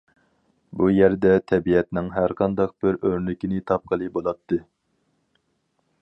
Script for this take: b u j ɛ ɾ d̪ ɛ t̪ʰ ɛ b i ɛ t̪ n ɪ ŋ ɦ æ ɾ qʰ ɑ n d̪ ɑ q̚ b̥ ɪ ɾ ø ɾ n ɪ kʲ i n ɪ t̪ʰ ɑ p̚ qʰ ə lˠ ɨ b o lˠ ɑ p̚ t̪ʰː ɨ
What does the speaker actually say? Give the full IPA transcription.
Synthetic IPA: b u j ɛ ɾ d̪ ɛ t̪ʰ ɛ b i ɛ t̪ n ɪ ŋ ɦ æ ɾ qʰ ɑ n d̪ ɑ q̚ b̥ ɪ ɾ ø ɾ n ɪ kʲ i n ɪ t̪ʰ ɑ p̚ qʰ ə lˠ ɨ b o lˠ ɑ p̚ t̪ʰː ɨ